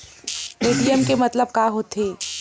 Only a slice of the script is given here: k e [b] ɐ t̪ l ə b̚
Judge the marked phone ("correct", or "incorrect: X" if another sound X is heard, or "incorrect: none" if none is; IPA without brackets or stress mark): incorrect: m